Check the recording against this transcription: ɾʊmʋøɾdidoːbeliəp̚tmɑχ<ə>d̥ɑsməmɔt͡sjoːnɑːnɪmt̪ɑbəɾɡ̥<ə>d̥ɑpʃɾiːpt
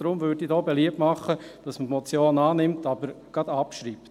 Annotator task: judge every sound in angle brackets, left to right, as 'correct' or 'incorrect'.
correct, incorrect: ɑ

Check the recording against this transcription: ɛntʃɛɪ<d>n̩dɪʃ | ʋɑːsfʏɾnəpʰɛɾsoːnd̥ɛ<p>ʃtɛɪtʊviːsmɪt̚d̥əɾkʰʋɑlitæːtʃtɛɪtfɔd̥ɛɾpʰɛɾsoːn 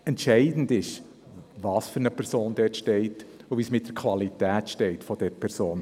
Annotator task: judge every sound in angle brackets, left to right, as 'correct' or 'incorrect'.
correct, incorrect: t

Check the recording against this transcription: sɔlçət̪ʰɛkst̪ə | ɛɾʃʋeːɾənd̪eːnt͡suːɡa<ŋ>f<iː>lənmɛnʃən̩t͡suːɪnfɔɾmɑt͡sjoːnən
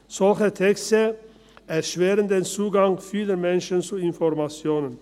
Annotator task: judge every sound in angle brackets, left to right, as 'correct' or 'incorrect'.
correct, correct

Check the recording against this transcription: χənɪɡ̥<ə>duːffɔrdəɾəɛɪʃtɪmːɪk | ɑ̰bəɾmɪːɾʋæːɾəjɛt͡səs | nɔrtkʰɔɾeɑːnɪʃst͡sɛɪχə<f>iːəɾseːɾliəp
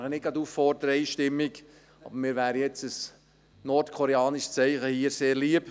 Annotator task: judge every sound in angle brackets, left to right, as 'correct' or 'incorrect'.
incorrect: ɑ, incorrect: h

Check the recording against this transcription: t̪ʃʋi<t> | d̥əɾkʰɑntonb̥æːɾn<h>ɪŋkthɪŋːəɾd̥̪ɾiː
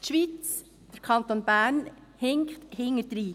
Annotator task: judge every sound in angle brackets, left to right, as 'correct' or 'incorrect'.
incorrect: t͡s, correct

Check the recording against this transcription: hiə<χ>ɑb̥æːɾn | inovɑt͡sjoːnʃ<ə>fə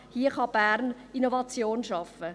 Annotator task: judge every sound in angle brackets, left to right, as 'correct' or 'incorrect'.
correct, incorrect: ɑ

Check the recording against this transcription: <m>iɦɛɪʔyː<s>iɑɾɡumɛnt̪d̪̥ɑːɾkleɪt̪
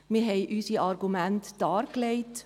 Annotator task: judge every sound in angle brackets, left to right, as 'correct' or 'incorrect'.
correct, correct

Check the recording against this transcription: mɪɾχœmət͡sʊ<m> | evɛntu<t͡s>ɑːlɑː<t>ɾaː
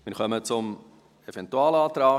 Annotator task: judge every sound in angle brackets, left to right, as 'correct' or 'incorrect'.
correct, incorrect: none, correct

